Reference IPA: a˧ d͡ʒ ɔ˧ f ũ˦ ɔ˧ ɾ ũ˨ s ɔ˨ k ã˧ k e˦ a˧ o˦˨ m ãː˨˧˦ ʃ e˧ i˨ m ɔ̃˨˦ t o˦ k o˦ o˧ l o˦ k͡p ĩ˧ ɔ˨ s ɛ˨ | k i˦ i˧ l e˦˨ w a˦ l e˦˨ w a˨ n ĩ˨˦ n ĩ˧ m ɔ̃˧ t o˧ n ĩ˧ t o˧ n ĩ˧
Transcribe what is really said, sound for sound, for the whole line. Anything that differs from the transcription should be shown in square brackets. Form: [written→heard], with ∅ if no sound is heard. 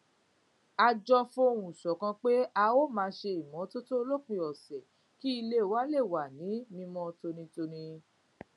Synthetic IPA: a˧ d͡ʒ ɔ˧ f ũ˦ [ɔ˧→o˧] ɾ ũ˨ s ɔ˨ k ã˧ [k→k͡p] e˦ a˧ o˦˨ m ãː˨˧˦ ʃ e˧ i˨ m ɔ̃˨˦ t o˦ [k→t] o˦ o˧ l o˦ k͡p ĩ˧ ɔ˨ s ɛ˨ | k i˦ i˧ l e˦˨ w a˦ l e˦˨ w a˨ n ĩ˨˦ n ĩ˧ m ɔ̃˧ t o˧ n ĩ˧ t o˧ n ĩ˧